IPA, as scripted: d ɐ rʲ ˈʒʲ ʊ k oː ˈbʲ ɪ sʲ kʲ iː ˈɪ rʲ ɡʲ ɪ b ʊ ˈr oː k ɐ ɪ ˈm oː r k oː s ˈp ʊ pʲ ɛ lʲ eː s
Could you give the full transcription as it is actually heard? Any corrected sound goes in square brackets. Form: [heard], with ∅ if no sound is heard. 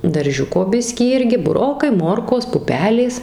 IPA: d ɐ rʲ ˈʒʲ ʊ k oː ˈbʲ ɪ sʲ kʲ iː ˈɪ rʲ ɡʲ ɪ b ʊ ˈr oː k ɐ ɪ ˈm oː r k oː s ˈp ʊ pʲ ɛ lʲ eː s

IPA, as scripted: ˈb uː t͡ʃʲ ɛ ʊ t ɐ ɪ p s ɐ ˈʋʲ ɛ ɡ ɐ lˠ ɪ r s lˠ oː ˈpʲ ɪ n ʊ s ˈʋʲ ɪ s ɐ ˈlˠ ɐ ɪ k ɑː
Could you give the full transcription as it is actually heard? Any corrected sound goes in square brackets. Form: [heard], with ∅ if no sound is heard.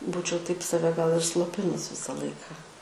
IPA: ˈb uː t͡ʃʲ ɛ ʊ t ɐ ɪ p s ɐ ˈʋʲ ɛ ɡ ɐ lˠ ɪ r s lˠ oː ˈpʲ ɪ n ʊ s ˈʋʲ ɪ s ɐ ˈlˠ ɐ ɪ k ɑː

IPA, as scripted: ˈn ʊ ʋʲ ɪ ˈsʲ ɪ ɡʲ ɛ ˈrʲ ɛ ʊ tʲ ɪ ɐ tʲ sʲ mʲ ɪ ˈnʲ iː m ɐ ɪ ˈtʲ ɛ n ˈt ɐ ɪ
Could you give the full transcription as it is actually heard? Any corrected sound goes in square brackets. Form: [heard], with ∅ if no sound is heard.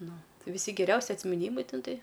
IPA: ˈn ʊ ʋʲ ɪ ˈsʲ ɪ ɡʲ ɛ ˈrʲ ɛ ʊ [sʲ] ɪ ɐ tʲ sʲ mʲ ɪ ˈnʲ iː m ɐ ɪ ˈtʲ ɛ n ˈt ɐ ɪ

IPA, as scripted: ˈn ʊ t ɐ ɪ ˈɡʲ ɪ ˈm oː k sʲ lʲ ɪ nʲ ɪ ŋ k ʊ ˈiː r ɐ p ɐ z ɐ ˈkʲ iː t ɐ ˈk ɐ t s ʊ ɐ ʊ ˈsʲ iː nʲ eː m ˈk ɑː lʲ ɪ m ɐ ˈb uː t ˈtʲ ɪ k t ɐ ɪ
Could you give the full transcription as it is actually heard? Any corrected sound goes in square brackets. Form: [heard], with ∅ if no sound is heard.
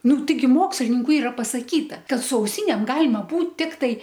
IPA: ˈn ʊ t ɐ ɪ ˈɡʲ ɪ ˈm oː k sʲ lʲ ɪ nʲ ɪ ŋ k ʊ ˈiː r ɐ p ɐ [s] ɐ ˈkʲ iː t ɐ ˈk ɐ t s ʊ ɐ ʊ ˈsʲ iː nʲ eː m [ˈɡ] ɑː lʲ ɪ m ɐ ˈb uː t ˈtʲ ɪ k t ɐ ɪ

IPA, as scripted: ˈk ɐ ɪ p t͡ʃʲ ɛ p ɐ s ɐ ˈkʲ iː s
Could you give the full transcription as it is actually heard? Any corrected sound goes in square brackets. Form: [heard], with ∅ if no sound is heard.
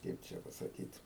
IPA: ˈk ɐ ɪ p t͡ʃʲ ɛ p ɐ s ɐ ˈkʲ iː [t]

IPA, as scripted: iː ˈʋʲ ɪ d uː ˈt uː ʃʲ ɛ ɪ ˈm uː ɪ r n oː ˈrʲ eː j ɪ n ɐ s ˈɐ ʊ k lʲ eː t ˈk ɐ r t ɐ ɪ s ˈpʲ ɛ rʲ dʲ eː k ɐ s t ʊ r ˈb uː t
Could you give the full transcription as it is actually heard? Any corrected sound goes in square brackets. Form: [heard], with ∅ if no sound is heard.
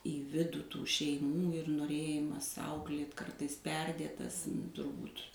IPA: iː ˈʋʲ ɪ d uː ˈt uː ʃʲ ɛ ɪ ˈm uː ɪ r n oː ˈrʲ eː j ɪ [m] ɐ s ˈɐ ʊ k lʲ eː t ˈk ɐ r t ɐ ɪ s ˈpʲ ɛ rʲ dʲ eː [t] ɐ s t ʊ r ˈb uː t

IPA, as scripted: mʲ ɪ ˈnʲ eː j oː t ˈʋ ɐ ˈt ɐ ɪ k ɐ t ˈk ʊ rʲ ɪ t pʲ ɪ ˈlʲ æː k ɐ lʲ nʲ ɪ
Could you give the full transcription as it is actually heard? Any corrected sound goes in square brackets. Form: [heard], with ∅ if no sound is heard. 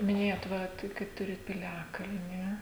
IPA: mʲ ɪ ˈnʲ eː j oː t ˈʋ ɐ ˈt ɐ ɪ k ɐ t [ˈt] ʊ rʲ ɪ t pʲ ɪ ˈlʲ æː k ɐ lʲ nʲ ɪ

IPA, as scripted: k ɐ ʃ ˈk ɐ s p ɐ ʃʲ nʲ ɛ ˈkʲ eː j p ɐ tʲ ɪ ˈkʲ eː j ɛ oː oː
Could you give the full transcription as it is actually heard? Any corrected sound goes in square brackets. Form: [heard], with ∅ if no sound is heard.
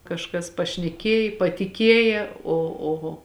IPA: k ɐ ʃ ˈk ɐ s p ɐ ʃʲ nʲ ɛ ˈkʲ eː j p ɐ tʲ ɪ ˈkʲ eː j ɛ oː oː

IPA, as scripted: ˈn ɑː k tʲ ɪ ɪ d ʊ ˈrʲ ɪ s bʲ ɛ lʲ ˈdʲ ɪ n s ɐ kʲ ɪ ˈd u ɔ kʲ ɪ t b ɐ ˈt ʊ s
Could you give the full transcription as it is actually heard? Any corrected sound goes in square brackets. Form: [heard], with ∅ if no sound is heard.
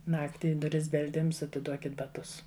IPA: ˈn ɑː k tʲ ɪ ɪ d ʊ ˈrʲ ɪ s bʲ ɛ lʲ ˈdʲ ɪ [m] s ɐ [tʲ] ɪ ˈd u ɔ kʲ ɪ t b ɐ ˈt ʊ s

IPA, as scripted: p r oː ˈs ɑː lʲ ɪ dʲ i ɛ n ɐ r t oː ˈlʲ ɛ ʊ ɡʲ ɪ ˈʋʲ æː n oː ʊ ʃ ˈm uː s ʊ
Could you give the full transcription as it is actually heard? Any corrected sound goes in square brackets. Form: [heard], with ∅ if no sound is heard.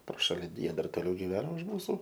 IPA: p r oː [ˈʃ] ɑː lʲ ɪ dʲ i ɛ [d] ɐ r t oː ˈlʲ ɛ ʊ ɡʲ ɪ ˈʋʲ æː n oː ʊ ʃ ˈm uː s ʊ

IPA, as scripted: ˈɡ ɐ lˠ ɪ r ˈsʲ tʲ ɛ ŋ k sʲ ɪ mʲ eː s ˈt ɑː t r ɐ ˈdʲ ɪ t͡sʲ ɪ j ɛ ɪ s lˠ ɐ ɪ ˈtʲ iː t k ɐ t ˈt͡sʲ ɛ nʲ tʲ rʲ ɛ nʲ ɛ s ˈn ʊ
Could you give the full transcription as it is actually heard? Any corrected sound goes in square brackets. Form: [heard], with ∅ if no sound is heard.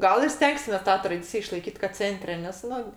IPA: ˈɡ ɐ lˠ ɪ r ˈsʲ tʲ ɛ ŋ k sʲ ɪ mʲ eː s ˈt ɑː t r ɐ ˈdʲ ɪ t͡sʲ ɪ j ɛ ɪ [ʃ] lˠ ɐ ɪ [ˈkʲ] iː t k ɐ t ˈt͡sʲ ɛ nʲ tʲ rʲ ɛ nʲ ɛ s ˈn ʊ

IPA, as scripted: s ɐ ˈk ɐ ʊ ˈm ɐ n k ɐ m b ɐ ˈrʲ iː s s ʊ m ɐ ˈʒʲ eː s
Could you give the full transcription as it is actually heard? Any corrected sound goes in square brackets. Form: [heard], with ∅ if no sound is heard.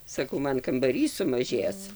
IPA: s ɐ ˈk ɐ ʊ ˈm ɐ n k ɐ m b ɐ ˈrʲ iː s s ʊ m ɐ ˈʒʲ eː s

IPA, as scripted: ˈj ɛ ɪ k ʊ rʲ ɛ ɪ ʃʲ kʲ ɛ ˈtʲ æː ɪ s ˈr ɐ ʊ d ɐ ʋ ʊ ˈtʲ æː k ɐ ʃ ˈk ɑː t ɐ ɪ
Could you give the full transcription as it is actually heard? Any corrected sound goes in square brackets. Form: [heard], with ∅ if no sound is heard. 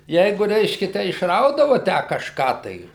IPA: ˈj ɛ ɪ [ɡ] ʊ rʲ ɛ ɪ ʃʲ kʲ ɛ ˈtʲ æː ɪ [ʃ] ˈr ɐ ʊ d ɐ ʋ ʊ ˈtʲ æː k ɐ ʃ ˈk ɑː t ɐ ɪ

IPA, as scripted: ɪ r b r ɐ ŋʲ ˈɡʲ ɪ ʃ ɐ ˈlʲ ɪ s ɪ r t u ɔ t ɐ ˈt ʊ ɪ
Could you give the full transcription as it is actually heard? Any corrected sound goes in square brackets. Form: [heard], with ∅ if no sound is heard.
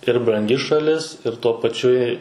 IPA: ɪ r b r ɐ ŋʲ ˈɡʲ ɪ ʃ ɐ ˈlʲ ɪ s ɪ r t u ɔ [p] ɐ [ˈt͡ʃʲ] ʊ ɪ

